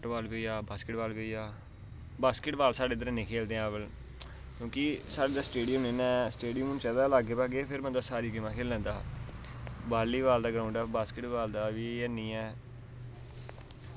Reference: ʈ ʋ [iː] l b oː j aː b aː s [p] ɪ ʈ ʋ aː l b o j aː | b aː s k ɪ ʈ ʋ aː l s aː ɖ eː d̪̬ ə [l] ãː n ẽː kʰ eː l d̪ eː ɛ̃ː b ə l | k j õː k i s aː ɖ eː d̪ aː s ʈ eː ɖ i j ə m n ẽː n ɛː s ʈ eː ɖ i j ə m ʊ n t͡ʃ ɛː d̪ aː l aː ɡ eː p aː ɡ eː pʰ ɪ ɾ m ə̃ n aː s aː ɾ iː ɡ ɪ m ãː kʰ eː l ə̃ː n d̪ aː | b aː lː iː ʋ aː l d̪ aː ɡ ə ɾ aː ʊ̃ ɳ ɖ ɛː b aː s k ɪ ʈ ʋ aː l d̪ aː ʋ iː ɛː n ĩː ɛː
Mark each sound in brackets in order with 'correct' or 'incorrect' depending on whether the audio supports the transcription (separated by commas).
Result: incorrect, incorrect, incorrect